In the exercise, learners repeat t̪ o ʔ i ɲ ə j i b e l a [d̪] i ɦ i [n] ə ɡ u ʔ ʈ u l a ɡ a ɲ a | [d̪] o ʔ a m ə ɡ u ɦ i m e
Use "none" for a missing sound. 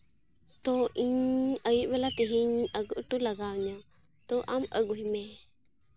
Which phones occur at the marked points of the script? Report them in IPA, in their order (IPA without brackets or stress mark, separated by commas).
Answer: t̪, ɲ, t̪